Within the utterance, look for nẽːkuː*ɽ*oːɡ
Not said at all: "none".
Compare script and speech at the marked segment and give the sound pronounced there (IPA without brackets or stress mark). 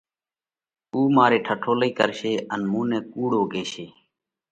ɽ